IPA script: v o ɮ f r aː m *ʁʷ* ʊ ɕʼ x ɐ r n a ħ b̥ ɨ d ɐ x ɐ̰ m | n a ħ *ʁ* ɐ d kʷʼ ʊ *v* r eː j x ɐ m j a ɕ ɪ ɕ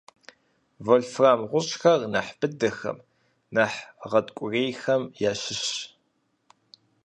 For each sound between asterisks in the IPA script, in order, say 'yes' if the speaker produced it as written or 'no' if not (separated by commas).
yes, yes, no